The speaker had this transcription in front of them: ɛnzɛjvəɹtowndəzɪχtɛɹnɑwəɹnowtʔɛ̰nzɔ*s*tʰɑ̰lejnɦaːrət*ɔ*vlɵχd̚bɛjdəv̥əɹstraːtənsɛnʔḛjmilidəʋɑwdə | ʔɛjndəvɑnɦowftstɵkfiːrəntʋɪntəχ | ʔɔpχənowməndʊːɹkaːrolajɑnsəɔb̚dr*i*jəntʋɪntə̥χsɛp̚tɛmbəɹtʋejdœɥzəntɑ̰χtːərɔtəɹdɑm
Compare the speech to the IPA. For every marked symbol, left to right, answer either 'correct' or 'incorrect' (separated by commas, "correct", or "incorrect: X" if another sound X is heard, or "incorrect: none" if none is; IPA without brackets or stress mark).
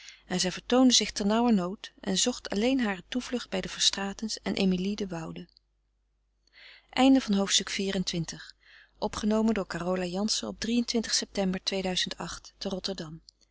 incorrect: χ, incorrect: u, correct